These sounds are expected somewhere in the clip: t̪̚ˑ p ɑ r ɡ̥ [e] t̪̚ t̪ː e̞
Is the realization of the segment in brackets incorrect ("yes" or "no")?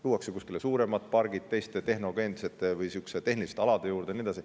yes